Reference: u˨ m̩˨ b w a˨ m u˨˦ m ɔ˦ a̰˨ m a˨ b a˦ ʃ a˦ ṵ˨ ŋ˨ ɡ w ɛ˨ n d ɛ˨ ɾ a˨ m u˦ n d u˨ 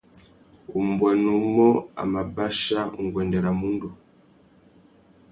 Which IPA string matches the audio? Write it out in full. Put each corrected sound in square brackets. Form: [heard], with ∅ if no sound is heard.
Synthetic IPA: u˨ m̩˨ b w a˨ [n] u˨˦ m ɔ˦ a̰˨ m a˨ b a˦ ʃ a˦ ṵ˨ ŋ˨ ɡ w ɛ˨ n d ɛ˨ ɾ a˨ m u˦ n d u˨